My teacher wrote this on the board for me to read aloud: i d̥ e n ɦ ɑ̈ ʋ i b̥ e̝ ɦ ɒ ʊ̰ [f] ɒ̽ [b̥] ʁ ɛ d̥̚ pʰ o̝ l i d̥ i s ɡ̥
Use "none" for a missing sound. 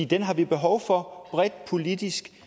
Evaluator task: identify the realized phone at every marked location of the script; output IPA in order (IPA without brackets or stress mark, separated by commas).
f, b̥